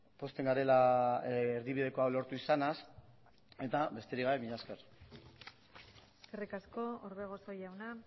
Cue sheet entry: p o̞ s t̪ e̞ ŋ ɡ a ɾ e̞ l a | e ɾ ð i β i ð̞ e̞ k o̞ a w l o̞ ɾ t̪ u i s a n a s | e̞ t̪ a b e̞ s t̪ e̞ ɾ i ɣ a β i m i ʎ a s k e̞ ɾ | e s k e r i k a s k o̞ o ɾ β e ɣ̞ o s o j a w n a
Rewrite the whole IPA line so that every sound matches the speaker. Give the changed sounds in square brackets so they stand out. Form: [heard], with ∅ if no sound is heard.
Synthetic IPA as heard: p o̞ s t̪ e̞ ŋ ɡ a ɾ e̞ l a | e ɾ ð i β i ð̞ e̞ k o̞ a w l o̞ ɾ t̪ u i s a n a s | e̞ t̪ a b e̞ s t̪ e̞ ɾ i ɣ a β [e] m i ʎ a s k e̞ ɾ | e s k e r i k a s k o̞ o ɾ β e ɣ̞ o s o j a w n a

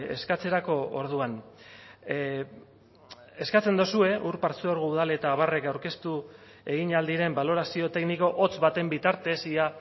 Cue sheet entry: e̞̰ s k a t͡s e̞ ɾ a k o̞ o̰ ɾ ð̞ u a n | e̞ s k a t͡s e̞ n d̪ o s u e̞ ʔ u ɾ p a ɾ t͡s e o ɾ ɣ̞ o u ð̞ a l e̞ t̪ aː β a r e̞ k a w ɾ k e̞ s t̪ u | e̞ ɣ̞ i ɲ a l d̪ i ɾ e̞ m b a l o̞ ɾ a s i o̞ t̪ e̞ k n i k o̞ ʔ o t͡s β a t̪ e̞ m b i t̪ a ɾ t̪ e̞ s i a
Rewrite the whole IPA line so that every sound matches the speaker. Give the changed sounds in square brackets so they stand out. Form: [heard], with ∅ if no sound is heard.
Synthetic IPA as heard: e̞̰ s k a t͡s e̞ ɾ a k o̞ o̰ ɾ ð̞ u a n | e̞ s k a t͡s e̞ n d̪ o s u e̞ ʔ u ɾ p a ɾ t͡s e o ɾ ɣ̞ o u ð̞ a l e̞ t̪ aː β a r e̞ k a w ɾ k e̞ s t̪ u | e̞ ɣ̞ i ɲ a l d̪ i ɾ e̞ m b a l o̞ ɾ a s i o̞ t̪ e̞ k n i k o̞ ʔ o t͡s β a t̪ e̞ m b i t̪ a ɾ t̪ e̞ s i a

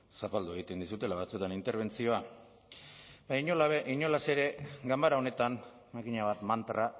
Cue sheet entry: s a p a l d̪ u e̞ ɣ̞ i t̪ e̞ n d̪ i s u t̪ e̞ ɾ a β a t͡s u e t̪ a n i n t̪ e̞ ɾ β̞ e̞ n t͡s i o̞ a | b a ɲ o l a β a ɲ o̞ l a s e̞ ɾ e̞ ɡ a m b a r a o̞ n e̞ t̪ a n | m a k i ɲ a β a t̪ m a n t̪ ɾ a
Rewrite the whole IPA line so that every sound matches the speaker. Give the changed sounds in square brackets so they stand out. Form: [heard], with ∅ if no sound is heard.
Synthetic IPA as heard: s a p a l d̪ u e̞ ɣ̞ i t̪ e̞ n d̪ i s u t̪ e̞ [l] a β a t͡s u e t̪ a n i n t̪ e̞ ɾ β̞ e̞ n t͡s i o̞ a | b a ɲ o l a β [i] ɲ o̞ l a s e̞ ɾ e̞ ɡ a m b a [ɾ] a o̞ n e̞ t̪ a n | m a k i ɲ a β a t̪ m a n t̪ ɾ a

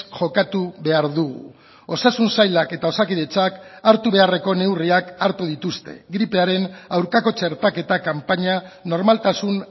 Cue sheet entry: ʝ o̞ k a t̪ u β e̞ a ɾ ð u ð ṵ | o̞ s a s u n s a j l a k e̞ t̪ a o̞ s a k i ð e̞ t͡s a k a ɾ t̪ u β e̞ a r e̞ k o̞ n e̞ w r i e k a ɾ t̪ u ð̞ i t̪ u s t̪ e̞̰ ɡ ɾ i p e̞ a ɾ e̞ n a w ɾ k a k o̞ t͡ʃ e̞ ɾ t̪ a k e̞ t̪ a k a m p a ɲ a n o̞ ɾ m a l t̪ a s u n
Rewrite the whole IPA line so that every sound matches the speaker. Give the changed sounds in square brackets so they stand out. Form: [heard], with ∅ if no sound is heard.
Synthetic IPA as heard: ʝ o̞ k a t̪ u β e̞ a ɾ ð u [ɣ] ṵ | o̞ s a s u n s a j l a k e̞ t̪ a o̞ s a k i ð e̞ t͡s a k a ɾ t̪ u β e̞ a r e̞ k o̞ n e̞ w r i [a] k a ɾ t̪ u ð̞ i t̪ u s t̪ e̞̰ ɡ ɾ i p e̞ a ɾ e̞ n a w ɾ k a k o̞ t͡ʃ e̞ ɾ t̪ a k e̞ t̪ a k a m p a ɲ a n o̞ ɾ m a l t̪ a s u n

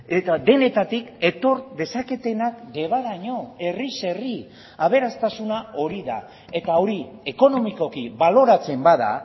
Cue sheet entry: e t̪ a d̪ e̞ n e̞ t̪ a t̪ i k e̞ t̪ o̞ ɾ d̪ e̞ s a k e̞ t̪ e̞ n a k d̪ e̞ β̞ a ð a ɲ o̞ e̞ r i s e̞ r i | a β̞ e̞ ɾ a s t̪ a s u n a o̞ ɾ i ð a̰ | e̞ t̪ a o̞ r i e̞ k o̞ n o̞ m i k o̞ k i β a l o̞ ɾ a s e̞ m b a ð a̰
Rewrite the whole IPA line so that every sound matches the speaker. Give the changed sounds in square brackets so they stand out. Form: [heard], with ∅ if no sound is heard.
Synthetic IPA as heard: e t̪ a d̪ e̞ n e̞ t̪ a t̪ i k e̞ t̪ o̞ ɾ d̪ e̞ s a k e̞ t̪ e̞ n a k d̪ e̞ β̞ a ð a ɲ o̞ e̞ r i s e̞ r i | a β̞ e̞ ɾ a s t̪ a s u n a o̞ ɾ i ð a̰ | e̞ t̪ a o̞ [ɾ] i e̞ k o̞ n o̞ m i k o̞ k i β a l o̞ ɾ a [t͡s] e̞ m b a ð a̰

